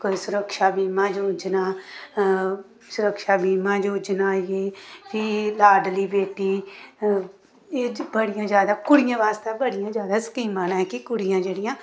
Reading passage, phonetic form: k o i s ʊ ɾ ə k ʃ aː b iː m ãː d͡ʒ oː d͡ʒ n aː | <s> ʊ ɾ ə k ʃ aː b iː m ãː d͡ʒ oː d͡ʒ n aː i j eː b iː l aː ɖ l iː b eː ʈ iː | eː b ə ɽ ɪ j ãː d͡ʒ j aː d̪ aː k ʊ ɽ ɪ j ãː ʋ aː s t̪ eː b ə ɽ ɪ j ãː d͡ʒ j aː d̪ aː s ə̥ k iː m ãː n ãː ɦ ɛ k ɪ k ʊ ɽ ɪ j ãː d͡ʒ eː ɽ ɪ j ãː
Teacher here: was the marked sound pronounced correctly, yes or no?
yes